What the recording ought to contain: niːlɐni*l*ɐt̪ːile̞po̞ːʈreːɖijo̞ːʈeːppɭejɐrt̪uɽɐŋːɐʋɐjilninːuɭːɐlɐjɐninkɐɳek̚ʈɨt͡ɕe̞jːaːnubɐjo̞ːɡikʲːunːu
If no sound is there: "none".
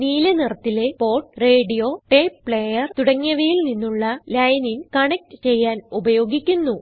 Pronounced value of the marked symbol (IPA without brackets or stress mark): r